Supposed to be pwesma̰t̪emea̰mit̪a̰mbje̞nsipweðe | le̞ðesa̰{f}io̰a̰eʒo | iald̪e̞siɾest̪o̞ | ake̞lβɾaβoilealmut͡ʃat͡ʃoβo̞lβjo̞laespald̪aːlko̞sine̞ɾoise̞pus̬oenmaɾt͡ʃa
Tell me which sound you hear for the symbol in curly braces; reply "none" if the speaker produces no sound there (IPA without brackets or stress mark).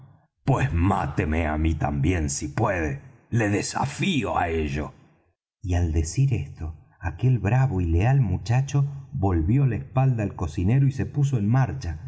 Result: f